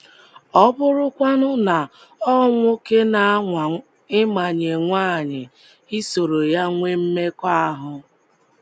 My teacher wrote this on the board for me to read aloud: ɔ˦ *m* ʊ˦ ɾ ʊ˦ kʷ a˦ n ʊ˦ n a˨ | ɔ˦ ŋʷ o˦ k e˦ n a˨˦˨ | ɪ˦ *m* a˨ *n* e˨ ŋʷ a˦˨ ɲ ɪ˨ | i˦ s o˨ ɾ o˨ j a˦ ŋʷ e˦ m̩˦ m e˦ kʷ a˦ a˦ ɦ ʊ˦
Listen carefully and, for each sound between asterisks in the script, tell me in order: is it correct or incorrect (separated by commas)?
incorrect, correct, incorrect